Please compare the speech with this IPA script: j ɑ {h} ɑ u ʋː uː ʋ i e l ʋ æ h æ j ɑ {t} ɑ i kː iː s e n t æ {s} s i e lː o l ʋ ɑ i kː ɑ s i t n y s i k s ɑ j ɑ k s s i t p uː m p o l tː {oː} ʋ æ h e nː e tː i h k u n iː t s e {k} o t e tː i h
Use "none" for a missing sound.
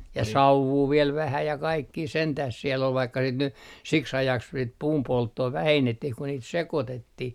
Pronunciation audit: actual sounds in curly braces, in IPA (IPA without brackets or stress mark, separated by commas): s, k, h, oː, k